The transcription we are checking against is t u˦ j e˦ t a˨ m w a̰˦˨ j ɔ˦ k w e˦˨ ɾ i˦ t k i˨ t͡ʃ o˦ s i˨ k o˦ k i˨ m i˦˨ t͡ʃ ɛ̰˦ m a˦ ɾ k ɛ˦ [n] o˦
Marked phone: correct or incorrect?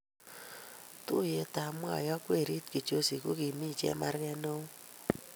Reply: correct